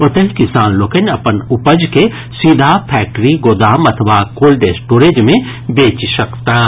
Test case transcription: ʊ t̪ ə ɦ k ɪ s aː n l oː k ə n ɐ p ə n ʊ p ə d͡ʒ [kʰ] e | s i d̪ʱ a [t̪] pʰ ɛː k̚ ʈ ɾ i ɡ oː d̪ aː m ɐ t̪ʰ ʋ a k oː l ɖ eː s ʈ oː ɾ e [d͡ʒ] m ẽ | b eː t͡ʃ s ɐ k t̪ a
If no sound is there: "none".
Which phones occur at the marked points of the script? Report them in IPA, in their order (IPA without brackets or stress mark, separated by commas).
k, none, d͡ʒ